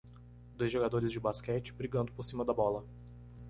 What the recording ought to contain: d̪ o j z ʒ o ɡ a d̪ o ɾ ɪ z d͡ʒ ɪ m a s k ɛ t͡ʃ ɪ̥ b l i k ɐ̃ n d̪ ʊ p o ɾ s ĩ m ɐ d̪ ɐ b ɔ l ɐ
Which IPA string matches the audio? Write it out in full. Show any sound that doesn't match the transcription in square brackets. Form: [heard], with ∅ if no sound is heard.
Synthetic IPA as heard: d̪ o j z ʒ o ɡ a d̪ o ɾ ɪ z d͡ʒ ɪ [b] a s k ɛ t͡ʃ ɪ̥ b [ɾ] i [ɡ] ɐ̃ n d̪ ʊ p o ɾ s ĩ m ɐ d̪ ɐ b ɔ l ɐ